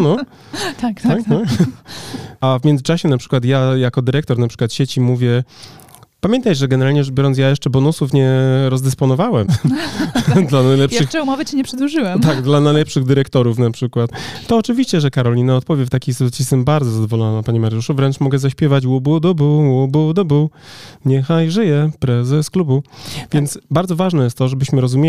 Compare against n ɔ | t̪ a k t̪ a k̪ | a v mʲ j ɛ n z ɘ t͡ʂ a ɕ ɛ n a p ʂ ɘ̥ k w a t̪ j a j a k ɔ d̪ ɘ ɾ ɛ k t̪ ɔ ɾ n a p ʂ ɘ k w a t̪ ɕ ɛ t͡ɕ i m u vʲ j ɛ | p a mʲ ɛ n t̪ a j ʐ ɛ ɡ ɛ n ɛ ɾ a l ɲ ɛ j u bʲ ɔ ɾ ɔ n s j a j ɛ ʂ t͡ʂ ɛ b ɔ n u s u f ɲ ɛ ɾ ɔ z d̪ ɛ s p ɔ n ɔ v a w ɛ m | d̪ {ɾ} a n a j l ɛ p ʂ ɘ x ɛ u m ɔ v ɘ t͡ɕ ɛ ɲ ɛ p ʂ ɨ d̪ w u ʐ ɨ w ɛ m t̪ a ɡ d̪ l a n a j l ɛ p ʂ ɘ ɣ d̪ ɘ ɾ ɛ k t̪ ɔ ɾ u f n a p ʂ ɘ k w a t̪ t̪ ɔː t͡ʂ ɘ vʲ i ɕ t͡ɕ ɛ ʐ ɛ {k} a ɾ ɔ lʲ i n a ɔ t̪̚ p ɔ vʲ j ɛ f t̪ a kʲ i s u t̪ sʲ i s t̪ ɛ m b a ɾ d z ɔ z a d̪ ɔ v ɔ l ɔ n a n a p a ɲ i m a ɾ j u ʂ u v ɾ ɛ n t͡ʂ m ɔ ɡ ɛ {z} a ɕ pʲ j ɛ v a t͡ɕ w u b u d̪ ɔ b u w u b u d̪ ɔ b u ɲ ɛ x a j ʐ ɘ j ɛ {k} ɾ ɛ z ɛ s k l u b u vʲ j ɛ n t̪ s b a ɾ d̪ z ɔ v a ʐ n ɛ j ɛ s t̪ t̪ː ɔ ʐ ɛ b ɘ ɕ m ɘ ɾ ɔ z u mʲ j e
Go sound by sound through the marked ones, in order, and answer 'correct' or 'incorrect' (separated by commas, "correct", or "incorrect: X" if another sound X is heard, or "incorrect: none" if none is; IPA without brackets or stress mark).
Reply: incorrect: l, correct, correct, incorrect: p